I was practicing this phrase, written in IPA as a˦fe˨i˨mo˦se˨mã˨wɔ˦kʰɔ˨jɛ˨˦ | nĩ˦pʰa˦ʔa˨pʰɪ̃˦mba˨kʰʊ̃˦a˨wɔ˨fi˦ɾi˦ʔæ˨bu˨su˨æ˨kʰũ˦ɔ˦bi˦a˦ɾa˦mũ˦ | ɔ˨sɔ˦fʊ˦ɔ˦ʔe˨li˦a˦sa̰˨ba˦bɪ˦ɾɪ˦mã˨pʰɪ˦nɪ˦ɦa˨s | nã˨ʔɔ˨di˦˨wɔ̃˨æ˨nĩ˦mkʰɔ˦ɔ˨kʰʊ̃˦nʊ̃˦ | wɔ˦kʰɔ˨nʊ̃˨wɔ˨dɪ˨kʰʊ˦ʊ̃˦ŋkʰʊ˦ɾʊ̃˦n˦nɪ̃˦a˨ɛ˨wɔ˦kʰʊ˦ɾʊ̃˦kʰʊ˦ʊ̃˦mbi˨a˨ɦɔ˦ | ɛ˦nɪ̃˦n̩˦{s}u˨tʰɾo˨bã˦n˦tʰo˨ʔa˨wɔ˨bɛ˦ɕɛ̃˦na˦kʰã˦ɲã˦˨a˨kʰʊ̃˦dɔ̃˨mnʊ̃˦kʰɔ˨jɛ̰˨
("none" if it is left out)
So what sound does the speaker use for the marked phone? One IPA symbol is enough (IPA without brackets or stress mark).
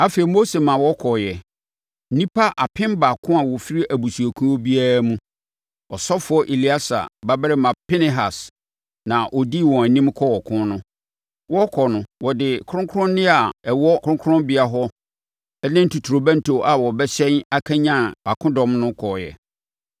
t